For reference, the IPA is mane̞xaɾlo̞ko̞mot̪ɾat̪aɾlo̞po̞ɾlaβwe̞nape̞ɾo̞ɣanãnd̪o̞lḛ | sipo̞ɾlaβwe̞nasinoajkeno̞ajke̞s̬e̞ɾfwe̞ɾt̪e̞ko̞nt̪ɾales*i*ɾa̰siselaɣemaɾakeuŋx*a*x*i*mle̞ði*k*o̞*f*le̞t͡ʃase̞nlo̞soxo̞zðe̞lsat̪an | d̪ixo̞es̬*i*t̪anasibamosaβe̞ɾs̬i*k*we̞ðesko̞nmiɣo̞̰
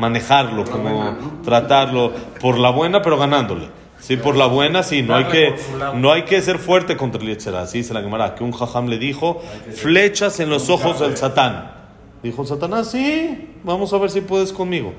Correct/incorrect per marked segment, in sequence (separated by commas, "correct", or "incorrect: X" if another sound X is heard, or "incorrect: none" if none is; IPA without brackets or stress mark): incorrect: e, correct, incorrect: a, incorrect: x, correct, incorrect: a, incorrect: p